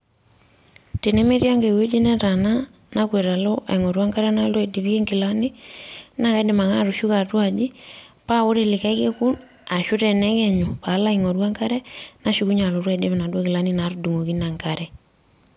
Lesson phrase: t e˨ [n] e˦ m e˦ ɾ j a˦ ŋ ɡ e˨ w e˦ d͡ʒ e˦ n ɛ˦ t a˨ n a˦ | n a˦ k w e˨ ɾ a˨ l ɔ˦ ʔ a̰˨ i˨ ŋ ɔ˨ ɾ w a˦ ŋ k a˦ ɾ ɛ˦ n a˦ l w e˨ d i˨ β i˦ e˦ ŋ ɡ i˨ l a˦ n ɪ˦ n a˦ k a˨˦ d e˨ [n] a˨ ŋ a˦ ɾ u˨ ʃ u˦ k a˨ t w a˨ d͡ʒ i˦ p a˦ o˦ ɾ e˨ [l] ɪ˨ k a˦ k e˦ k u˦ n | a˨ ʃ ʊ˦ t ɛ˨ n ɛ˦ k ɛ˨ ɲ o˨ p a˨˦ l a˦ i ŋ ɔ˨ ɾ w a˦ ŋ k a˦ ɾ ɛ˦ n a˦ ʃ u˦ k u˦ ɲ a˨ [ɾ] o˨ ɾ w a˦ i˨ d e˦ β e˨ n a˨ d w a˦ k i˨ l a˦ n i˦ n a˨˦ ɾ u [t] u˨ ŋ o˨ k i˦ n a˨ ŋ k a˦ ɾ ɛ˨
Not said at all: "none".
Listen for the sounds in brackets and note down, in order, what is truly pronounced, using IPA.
n, m, l, l, d

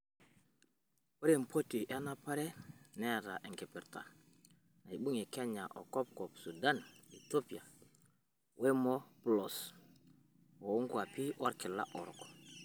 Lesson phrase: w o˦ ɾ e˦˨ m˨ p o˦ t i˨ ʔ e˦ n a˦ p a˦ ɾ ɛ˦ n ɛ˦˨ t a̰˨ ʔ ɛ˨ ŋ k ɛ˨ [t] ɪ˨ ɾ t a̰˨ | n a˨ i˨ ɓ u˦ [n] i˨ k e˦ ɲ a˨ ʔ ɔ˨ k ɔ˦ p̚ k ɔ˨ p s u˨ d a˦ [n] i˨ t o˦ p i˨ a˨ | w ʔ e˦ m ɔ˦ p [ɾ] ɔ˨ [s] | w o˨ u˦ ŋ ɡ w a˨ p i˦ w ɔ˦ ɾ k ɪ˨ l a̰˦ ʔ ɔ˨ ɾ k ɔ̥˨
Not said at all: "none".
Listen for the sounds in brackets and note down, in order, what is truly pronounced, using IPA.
p, ŋ, n, l, s

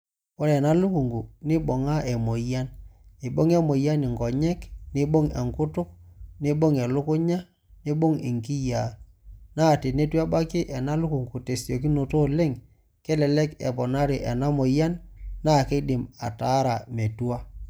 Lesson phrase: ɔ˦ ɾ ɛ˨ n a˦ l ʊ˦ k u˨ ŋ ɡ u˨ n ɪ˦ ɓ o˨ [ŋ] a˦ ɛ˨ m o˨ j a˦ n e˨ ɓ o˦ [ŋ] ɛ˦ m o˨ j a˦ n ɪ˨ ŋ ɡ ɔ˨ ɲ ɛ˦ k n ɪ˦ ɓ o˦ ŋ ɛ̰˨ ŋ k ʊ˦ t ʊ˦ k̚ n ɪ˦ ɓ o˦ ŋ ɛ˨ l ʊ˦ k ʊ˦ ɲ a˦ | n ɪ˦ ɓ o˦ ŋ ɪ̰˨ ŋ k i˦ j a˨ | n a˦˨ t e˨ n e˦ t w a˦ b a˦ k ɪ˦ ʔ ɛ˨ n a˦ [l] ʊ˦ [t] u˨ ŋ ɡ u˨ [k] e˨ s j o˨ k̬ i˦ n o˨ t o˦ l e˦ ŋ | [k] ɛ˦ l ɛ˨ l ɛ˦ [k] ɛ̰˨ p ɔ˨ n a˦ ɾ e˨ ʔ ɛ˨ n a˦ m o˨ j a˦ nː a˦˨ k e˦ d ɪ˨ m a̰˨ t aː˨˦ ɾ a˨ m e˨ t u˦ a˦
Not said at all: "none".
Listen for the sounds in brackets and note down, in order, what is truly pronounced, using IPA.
ŋ, ŋ, l, k, t, k, k

